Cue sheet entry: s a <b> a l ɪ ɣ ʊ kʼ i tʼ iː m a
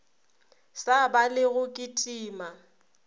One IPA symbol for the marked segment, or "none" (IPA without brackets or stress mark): b